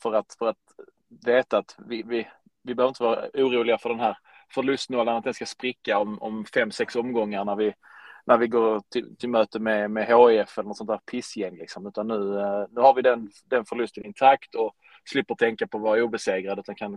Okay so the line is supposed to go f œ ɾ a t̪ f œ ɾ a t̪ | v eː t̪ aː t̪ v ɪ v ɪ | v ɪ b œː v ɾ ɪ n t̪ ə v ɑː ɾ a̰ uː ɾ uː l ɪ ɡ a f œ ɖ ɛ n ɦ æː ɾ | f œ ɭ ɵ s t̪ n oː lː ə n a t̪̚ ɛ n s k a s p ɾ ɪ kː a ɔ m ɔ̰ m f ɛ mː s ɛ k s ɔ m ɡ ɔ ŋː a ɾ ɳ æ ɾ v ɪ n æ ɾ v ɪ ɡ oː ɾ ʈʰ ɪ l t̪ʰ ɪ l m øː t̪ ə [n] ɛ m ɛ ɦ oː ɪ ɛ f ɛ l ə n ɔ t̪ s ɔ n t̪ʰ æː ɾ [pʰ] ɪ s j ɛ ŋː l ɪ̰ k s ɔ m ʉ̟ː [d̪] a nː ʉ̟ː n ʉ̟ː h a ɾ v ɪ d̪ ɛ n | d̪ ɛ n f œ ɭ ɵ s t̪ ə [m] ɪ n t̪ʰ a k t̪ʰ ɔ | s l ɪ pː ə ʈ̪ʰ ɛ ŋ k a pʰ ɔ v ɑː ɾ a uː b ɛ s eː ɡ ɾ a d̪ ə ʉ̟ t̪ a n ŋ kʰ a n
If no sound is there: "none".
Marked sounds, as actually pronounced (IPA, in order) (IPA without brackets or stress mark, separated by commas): m, pʰ, t̪, n